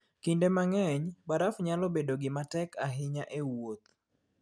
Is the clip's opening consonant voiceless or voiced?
voiceless